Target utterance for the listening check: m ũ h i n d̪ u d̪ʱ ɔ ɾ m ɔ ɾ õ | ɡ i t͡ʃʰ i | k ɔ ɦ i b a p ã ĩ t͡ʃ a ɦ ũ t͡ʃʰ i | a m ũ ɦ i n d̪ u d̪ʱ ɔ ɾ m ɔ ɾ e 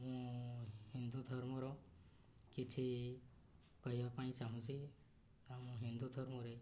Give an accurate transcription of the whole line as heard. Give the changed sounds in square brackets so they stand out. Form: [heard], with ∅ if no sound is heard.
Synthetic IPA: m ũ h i n d̪ u d̪ʱ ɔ ɾ m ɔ ɾ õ | [k] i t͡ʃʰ i | k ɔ ɦ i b a p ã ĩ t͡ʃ a ɦ ũ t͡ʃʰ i | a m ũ ɦ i n d̪ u d̪ʱ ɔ ɾ m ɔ ɾ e